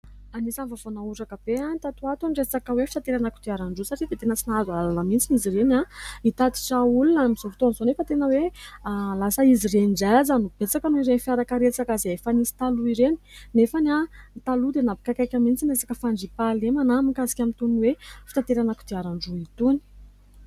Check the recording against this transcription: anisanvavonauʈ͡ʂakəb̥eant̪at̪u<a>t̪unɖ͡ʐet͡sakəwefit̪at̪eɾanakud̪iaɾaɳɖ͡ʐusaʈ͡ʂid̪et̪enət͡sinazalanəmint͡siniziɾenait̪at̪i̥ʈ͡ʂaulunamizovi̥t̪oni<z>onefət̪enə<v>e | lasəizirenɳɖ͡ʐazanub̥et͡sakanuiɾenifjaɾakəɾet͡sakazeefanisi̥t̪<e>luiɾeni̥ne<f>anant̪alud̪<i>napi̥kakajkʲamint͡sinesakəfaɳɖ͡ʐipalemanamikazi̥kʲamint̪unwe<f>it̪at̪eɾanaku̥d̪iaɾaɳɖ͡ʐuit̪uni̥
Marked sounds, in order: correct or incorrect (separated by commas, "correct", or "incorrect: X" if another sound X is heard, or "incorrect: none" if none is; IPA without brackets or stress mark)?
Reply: correct, correct, incorrect: w, incorrect: a, correct, incorrect: e, correct